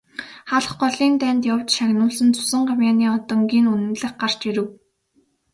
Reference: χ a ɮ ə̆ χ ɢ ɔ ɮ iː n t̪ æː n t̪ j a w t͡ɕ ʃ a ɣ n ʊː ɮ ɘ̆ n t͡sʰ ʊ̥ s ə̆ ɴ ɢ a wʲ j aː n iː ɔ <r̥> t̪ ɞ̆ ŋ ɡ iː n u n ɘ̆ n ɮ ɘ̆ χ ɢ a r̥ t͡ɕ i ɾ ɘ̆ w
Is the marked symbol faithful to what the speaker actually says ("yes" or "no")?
no